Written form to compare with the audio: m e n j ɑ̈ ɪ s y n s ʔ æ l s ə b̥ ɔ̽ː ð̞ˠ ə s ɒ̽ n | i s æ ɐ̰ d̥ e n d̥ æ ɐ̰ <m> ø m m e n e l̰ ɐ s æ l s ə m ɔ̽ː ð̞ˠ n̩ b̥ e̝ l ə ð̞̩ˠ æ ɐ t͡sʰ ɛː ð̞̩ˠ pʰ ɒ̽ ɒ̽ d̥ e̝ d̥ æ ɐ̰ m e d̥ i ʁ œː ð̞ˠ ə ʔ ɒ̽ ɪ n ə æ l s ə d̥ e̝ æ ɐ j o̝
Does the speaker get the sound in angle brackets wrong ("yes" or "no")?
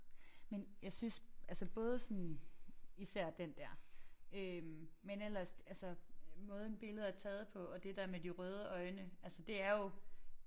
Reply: yes